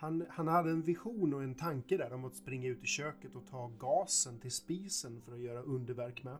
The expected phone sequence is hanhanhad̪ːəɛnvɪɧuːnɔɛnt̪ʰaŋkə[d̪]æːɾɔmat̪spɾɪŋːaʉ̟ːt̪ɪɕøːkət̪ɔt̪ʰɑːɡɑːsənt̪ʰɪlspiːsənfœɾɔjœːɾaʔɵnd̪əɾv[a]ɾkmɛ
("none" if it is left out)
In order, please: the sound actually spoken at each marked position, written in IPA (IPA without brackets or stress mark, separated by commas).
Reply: d̪, æ